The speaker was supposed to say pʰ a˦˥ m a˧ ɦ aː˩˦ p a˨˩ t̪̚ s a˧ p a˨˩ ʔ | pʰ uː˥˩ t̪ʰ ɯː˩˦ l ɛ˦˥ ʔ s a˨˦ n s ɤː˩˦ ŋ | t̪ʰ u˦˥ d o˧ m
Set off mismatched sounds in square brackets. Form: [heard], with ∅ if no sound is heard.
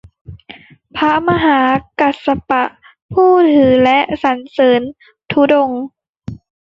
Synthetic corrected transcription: pʰ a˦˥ m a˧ ɦ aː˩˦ [k] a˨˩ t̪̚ s a˧ p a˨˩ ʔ | pʰ uː˥˩ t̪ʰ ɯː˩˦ l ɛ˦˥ ʔ s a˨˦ n s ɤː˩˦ [n] | t̪ʰ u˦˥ d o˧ [ŋ]